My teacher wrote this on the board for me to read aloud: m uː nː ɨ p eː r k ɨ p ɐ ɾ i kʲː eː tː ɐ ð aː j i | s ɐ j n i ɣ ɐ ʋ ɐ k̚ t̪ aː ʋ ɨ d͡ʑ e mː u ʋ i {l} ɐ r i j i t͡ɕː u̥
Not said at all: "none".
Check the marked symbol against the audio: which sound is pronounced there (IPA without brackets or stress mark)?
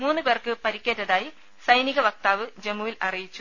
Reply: l